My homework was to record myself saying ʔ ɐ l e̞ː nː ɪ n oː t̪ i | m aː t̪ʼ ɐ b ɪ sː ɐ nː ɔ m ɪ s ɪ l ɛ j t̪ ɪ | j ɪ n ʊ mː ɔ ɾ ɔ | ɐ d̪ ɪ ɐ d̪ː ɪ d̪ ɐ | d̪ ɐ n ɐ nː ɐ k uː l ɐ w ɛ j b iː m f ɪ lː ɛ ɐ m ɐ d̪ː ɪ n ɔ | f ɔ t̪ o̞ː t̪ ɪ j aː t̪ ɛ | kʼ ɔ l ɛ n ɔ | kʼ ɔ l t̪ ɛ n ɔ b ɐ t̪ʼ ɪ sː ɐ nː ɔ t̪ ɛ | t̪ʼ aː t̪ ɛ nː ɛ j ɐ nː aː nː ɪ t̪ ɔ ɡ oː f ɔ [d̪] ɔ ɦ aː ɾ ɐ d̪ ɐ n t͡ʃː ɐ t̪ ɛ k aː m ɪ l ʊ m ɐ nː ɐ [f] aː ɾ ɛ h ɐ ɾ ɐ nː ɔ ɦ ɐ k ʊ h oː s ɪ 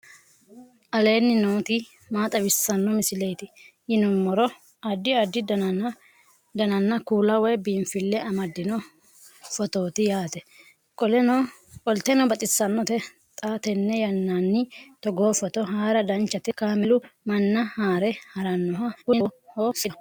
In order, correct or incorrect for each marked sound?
incorrect: t̪, incorrect: h

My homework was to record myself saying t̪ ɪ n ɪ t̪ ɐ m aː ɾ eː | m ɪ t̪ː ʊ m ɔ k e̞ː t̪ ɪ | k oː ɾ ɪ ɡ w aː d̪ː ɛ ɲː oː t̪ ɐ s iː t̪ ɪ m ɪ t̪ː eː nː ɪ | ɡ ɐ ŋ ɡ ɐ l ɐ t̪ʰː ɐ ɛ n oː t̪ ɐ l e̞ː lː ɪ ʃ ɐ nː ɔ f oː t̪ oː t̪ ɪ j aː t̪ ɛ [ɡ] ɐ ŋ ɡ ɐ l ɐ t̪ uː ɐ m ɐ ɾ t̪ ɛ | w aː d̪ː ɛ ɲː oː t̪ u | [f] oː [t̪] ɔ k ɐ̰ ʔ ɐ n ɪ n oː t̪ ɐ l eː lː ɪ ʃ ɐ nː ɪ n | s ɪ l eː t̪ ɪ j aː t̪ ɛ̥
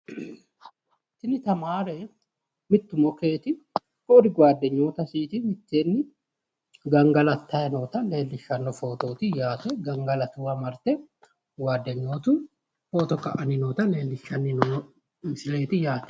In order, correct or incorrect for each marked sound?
correct, correct, correct

